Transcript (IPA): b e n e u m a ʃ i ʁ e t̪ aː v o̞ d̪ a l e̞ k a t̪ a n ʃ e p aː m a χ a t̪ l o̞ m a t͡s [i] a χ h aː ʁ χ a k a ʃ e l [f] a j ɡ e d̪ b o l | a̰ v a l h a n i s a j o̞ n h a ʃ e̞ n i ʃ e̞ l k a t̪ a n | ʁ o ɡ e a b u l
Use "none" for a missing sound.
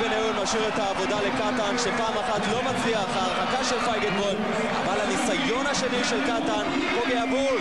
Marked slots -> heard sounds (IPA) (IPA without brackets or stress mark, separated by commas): i, f